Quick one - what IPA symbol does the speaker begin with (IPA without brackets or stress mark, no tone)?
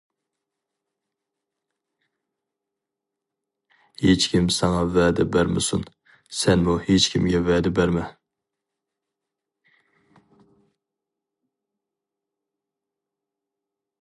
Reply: h